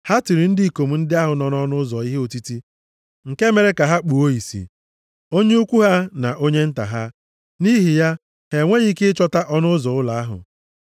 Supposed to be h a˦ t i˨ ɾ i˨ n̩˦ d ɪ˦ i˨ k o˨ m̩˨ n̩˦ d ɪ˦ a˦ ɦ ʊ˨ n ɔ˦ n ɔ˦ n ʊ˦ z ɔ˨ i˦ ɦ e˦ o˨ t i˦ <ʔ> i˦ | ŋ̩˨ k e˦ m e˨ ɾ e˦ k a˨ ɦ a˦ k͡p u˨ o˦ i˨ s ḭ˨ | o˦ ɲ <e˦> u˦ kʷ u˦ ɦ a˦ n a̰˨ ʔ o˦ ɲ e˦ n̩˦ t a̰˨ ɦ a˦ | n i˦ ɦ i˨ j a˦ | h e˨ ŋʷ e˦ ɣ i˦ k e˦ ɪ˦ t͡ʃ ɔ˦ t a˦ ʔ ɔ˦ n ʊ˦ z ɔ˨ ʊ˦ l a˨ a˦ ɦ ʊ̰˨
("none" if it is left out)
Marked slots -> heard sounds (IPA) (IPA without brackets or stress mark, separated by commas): t, e˦